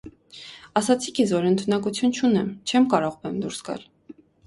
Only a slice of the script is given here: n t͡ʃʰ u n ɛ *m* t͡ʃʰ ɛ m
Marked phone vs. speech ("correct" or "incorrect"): correct